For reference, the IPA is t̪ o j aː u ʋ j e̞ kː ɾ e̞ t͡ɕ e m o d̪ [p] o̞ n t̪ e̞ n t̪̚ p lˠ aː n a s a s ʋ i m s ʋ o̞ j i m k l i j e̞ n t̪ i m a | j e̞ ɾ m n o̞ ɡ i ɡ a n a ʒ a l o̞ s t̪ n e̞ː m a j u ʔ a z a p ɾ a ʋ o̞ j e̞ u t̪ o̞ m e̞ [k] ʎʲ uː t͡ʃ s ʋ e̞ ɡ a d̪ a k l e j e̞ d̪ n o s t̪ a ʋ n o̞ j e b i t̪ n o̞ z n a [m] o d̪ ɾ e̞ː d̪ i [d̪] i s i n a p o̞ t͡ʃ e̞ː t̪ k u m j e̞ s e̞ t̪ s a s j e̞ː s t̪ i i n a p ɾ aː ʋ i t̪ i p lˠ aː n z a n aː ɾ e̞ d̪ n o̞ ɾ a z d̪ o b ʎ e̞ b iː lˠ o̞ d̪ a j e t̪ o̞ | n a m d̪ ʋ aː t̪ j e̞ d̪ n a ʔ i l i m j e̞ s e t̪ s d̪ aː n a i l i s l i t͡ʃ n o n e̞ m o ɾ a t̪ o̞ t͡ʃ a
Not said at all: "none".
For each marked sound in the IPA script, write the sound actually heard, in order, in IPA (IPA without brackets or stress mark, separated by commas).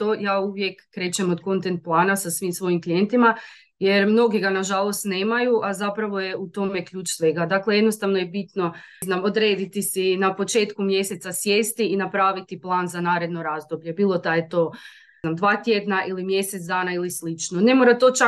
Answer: k, k, m, t̪